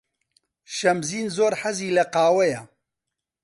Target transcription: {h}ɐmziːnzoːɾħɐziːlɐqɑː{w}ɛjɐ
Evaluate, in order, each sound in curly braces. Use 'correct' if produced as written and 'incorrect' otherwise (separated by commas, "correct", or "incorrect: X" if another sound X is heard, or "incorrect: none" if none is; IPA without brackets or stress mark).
incorrect: ʃ, correct